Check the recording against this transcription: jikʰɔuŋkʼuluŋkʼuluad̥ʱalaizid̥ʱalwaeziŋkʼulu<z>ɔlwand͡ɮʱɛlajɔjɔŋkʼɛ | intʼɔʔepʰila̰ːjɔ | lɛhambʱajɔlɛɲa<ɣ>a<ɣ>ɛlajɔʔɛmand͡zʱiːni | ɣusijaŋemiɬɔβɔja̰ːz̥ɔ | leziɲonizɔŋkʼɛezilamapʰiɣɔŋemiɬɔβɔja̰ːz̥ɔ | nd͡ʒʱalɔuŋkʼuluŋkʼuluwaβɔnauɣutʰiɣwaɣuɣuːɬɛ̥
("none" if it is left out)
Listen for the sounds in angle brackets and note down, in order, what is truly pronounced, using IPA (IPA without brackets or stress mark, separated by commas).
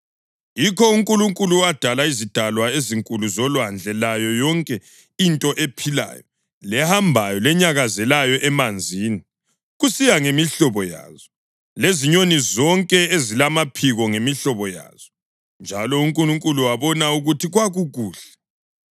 z, ɣ, z